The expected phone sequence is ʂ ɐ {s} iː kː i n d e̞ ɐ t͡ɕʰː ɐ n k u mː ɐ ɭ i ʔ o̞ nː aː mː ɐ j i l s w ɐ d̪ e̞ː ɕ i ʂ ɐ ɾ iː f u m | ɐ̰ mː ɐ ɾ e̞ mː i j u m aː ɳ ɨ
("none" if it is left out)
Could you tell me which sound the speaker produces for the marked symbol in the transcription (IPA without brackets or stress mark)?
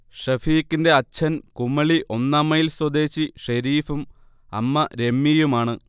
f